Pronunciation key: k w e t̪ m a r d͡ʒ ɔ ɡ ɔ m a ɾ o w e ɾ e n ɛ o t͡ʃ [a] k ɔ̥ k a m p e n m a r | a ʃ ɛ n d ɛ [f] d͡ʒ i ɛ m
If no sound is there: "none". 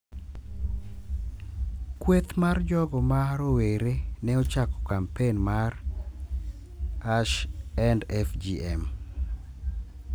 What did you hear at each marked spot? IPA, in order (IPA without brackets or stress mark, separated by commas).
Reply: a, f